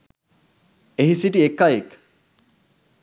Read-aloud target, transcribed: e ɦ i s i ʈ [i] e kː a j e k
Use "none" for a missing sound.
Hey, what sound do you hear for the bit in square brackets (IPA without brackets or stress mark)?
i